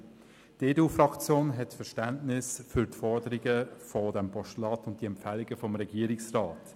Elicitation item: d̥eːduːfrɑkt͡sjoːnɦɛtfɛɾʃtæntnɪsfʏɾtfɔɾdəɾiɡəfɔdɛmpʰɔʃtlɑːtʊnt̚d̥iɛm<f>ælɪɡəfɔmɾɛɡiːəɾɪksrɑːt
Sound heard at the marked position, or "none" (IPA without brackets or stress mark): f